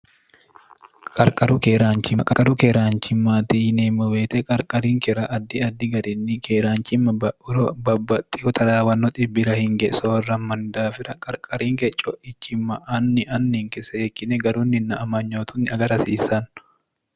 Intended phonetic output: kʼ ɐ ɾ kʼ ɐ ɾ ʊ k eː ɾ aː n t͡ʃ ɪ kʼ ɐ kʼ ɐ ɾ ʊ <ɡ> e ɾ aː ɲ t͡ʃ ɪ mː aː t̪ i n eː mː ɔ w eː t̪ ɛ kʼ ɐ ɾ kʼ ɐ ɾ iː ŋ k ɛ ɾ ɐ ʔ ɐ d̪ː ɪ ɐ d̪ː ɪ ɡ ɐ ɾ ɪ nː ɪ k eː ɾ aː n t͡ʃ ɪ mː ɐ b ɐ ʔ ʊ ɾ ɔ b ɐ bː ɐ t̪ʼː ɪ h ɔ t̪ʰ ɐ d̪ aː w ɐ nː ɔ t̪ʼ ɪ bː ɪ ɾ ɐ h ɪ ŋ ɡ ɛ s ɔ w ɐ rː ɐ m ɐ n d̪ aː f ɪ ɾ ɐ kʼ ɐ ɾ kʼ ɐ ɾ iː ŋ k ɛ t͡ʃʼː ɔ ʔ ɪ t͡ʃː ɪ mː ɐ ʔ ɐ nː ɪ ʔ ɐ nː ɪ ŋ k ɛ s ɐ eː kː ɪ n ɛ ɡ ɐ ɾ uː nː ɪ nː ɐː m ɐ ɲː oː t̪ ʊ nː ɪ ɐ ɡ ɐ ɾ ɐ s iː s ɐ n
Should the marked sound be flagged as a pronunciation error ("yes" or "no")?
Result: yes